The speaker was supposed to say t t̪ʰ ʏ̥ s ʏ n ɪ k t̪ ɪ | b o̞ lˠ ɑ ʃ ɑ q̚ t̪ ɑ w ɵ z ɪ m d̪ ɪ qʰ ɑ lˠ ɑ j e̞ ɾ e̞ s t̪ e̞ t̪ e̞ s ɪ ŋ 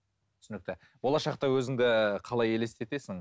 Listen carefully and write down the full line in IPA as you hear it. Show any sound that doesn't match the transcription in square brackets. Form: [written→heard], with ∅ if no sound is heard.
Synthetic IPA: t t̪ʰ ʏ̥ s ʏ n ɪ k t̪ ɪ | b o̞ lˠ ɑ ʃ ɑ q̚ t̪ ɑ w ɵ z ɪ [m→ŋ] d̪ ɪ qʰ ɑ lˠ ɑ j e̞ [ɾ→l] e̞ s t̪ e̞ t̪ e̞ s ɪ ŋ